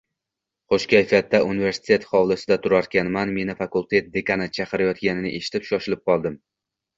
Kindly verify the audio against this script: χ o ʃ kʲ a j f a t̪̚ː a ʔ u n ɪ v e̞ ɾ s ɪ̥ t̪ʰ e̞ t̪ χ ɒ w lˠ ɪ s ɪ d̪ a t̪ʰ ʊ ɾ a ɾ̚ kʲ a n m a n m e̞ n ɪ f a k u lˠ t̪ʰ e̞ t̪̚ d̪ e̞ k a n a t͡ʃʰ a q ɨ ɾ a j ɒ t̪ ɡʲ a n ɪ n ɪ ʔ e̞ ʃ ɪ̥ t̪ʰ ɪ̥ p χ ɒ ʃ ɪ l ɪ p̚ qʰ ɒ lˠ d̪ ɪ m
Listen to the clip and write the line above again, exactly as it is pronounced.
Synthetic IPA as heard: χ o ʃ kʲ a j f a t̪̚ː a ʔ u n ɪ v e̞ ɾ s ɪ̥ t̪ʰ e̞ t̪ χ ɒ w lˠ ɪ s ɪ d̪ a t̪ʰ ʊ ɾ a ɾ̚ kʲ a n m a n m e̞ n ɪ f a k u lˠ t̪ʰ e̞ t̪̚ d̪ e̞ k a n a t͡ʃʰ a q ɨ ɾ a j ɒ t̪ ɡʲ a n ɪ n ɪ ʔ e̞ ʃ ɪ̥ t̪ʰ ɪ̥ p ʃ ɒ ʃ ɪ l ɪ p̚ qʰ ɒ lˠ d̪ ɪ m